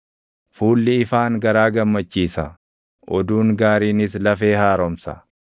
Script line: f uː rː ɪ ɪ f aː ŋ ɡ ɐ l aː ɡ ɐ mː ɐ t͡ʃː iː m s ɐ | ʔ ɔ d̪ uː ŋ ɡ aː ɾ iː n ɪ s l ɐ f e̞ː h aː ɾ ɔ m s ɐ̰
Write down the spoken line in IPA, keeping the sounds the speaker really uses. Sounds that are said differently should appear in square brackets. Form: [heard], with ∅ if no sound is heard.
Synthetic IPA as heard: f uː [lː] ɪ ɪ f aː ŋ ɡ ɐ [ɾ] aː ɡ ɐ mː ɐ t͡ʃː iː [∅] s ɐ | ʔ ɔ d̪ uː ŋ ɡ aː ɾ iː n ɪ s l ɐ f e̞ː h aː ɾ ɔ m s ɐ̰